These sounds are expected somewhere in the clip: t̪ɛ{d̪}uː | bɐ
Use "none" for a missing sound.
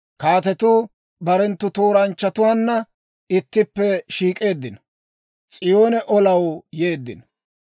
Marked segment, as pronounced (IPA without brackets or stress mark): t̪